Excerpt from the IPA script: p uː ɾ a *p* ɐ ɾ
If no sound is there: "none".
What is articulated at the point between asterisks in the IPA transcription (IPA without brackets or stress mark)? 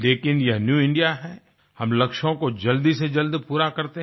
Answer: k